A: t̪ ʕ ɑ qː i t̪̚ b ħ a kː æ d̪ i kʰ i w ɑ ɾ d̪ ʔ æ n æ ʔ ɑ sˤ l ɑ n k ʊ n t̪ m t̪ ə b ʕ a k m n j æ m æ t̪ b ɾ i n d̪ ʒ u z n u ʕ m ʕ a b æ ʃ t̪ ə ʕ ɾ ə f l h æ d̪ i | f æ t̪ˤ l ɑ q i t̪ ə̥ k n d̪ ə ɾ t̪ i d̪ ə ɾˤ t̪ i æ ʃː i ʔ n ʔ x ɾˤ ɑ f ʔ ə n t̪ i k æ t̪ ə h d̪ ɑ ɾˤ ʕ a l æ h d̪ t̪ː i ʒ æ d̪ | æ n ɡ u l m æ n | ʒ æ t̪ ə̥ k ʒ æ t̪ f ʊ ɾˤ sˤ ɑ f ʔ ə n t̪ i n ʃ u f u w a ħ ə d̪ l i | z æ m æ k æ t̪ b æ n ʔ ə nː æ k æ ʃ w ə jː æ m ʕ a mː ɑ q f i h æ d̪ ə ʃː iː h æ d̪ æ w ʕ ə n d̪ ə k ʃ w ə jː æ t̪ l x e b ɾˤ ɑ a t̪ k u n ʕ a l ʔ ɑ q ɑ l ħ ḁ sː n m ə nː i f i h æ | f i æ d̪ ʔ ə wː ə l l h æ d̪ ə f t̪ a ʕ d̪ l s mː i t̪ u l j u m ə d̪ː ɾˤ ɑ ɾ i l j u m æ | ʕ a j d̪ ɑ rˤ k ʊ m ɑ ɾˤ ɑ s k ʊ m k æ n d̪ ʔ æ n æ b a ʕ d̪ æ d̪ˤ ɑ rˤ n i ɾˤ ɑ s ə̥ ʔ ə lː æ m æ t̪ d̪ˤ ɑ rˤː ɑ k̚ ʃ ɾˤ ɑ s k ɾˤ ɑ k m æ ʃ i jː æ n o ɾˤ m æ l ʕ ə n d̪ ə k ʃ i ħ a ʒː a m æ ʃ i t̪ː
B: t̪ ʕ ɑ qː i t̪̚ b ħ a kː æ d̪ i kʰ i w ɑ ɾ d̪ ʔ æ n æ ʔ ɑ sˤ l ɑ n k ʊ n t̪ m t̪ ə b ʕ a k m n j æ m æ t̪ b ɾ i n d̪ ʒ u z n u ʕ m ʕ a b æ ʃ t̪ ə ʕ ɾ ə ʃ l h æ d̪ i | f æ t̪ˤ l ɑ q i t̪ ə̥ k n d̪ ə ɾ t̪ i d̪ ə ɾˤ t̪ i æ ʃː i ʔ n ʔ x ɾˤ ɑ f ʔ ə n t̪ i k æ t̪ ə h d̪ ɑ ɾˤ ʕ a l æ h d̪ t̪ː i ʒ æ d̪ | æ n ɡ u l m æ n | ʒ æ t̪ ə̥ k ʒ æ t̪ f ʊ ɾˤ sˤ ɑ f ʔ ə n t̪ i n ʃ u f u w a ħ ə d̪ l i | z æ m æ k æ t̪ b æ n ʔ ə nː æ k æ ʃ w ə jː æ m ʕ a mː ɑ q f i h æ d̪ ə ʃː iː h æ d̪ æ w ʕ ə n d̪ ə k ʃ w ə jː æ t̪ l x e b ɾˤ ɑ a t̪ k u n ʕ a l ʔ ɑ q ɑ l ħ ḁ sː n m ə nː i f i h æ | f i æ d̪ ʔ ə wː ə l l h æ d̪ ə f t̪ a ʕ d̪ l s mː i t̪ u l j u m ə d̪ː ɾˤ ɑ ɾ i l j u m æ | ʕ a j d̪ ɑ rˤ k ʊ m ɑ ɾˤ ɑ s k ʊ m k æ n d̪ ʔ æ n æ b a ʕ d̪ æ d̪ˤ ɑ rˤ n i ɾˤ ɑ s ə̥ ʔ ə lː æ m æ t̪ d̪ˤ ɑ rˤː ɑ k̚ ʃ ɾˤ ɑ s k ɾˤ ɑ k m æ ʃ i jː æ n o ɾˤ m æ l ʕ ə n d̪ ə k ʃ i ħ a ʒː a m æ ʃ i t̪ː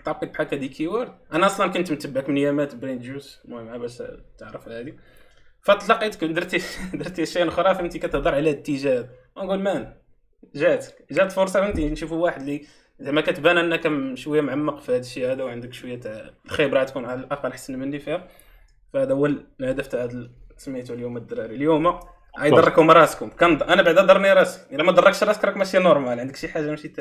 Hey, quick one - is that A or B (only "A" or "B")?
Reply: A